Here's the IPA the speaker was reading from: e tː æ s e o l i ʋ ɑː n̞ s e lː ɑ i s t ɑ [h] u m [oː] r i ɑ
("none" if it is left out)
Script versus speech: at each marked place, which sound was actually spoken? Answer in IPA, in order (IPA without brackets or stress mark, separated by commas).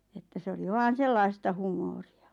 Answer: h, oː